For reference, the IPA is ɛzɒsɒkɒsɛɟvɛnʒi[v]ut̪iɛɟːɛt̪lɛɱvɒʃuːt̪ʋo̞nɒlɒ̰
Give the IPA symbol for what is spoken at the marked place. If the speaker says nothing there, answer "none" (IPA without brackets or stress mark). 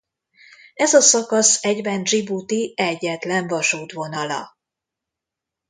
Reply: b